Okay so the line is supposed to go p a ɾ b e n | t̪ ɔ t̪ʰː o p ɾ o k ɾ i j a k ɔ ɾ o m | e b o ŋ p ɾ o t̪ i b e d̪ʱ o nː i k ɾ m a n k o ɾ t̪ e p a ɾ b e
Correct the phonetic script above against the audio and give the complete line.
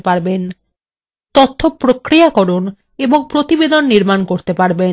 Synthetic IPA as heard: p a ɾ b e n | t̪ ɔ t̪ʰː o p ɾ o k ɾ i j a k ɔ ɾ o n | e b o ŋ p ɾ o t̪ i b e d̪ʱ o nː i ɾ m a n k o ɾ t̪ e p a ɾ b e